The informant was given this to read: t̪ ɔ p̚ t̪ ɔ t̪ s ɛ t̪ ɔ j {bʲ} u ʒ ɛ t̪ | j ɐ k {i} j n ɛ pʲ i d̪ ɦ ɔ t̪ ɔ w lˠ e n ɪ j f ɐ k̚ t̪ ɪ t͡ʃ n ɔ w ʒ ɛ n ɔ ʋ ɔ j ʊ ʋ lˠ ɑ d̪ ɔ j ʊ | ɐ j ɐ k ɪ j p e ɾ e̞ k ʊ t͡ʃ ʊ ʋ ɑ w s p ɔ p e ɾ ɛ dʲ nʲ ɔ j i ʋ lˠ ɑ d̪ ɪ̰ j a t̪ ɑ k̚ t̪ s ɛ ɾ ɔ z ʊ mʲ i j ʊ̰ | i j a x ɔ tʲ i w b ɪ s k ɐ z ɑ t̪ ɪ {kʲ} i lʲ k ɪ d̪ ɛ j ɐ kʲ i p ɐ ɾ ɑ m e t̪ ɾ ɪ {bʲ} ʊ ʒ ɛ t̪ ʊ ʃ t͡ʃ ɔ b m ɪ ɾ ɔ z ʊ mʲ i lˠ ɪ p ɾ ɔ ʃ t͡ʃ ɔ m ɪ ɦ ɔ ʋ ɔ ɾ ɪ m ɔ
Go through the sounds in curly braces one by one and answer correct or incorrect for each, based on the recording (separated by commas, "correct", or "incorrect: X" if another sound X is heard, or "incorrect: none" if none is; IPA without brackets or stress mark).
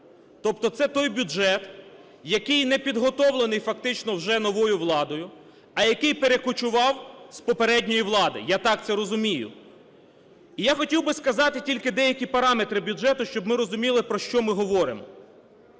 correct, incorrect: ɪ, incorrect: tʲ, correct